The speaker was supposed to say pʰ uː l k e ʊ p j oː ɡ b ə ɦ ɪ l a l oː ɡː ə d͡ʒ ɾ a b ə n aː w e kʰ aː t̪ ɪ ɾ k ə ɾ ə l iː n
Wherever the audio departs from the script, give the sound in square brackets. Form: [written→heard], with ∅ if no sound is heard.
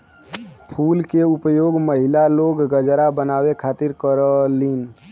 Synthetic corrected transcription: pʰ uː l k e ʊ p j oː ɡ [b→m] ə ɦ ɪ l a l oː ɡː ə d͡ʒ ɾ a b ə n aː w e kʰ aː t̪ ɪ ɾ k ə ɾ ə l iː n